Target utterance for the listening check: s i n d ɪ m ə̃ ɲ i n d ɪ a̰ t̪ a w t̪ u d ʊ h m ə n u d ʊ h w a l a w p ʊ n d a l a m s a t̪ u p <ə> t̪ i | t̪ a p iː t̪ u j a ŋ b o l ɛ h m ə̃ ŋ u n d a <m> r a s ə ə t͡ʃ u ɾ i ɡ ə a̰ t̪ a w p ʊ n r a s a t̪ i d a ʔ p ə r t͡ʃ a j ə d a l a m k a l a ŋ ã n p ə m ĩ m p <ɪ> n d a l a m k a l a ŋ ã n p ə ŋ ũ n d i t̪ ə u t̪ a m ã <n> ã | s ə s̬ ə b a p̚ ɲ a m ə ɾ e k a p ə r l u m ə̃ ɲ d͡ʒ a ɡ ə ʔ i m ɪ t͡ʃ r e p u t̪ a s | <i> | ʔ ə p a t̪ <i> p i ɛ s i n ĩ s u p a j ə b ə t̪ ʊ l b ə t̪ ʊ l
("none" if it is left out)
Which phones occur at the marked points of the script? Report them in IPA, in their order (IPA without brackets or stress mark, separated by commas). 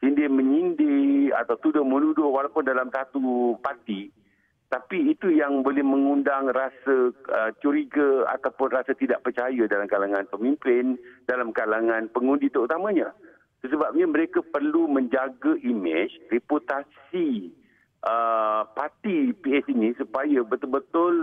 a, ŋ, ɪ, ɲ, i, i